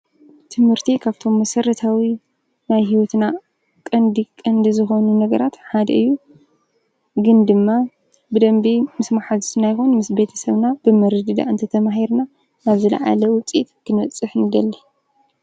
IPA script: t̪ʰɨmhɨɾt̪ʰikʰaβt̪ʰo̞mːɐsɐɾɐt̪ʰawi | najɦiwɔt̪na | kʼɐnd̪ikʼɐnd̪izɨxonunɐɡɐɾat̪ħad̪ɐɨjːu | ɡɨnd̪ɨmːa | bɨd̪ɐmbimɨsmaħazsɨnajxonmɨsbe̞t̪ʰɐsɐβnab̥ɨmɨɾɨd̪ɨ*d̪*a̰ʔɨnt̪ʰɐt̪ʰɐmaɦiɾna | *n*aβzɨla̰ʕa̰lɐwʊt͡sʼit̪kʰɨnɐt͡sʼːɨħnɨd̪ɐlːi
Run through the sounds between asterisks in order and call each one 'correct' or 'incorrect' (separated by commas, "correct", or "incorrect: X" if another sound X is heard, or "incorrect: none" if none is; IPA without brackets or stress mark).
correct, correct